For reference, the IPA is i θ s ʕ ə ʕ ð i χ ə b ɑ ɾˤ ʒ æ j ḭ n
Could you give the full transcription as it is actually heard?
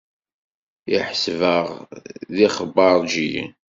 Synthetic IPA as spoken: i ħ s v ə ʁ ð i χ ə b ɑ ɾˤ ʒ i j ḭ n